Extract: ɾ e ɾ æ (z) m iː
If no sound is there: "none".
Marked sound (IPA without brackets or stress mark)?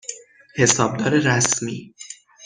s